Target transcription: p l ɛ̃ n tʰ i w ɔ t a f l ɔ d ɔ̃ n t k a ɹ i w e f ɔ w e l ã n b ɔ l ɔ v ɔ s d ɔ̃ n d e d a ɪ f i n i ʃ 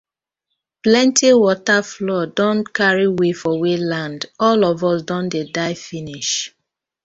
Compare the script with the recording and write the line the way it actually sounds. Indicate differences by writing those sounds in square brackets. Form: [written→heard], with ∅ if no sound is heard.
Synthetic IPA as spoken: p l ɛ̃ n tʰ i w ɔ t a f l ɔ d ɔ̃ n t k a ɹ i w e f ɔ w e l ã n [b→d] ɔ l ɔ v ɔ s d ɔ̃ n d e d a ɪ f i n i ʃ